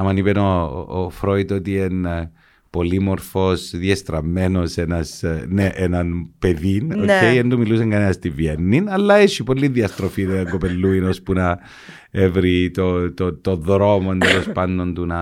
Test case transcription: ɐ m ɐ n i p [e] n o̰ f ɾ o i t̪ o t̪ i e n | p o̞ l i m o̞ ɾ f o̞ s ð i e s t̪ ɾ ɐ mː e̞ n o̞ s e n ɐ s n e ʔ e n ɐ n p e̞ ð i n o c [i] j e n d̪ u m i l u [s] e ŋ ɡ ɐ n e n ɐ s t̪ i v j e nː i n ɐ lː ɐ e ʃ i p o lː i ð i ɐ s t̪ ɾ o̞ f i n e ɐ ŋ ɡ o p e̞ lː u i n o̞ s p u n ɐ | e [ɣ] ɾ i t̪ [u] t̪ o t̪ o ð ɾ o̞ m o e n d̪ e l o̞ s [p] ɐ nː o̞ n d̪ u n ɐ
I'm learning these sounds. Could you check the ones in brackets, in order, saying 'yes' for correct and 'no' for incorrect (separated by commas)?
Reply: yes, no, yes, no, no, yes